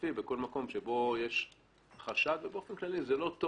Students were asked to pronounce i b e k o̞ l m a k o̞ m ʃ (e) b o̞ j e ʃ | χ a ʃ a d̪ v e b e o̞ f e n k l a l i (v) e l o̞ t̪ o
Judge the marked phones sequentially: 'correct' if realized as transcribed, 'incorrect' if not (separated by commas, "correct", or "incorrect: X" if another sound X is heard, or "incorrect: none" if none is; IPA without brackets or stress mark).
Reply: correct, incorrect: z